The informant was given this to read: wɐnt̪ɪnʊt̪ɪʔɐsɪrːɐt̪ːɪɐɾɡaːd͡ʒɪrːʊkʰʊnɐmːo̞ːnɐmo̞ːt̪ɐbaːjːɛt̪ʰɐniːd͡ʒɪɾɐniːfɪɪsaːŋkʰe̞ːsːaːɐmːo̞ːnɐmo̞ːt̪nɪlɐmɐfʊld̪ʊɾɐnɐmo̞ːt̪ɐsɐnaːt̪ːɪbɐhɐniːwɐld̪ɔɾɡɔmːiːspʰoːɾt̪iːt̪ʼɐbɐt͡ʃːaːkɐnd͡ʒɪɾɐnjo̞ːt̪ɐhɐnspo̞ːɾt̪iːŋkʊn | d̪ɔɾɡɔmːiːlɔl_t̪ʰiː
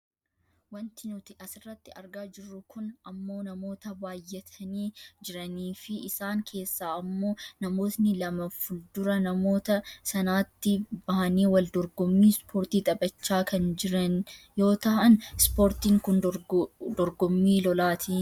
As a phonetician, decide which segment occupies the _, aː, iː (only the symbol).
aː